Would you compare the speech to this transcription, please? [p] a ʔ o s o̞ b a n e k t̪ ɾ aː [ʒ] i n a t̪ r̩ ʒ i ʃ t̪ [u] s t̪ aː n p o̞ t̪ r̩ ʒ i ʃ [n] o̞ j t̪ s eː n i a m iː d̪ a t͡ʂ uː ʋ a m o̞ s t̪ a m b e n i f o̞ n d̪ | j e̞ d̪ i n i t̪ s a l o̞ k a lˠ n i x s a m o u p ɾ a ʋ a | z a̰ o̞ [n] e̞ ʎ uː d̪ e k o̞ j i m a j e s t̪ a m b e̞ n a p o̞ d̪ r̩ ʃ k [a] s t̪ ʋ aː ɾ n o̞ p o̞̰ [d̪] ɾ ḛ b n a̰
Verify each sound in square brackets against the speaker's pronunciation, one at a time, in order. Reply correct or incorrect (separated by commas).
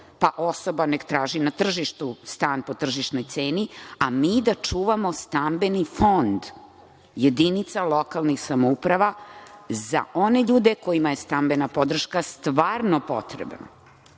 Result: correct, correct, correct, correct, correct, correct, incorrect